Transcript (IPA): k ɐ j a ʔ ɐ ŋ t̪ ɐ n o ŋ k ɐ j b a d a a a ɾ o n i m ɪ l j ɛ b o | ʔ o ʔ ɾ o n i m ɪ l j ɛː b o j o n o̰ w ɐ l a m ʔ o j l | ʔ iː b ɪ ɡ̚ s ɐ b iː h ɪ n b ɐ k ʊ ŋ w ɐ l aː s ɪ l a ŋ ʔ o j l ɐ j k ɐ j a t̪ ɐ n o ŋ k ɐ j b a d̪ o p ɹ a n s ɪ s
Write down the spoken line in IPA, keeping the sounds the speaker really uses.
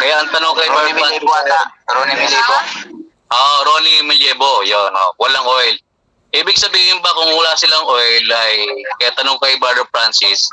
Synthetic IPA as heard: k ɐ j a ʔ ɐ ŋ t̪ ɐ n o ŋ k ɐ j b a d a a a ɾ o n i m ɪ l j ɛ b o | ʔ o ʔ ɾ o n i m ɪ l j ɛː b o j o n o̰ w ɐ l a ŋ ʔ o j l | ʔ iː b ɪ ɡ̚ s ɐ b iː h ɪ n b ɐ k ʊ ŋ w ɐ l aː s ɪ l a ŋ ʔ o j l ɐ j k ɐ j a t̪ ɐ n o ŋ k ɐ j b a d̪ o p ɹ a n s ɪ s